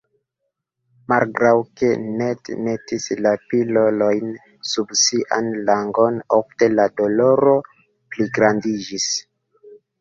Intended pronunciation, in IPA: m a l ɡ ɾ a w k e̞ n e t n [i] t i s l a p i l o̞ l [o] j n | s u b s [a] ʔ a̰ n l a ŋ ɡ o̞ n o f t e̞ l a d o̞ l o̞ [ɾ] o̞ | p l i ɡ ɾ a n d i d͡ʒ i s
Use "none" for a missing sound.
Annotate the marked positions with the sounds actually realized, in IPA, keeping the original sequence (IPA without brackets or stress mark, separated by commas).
e, o, i, ɾ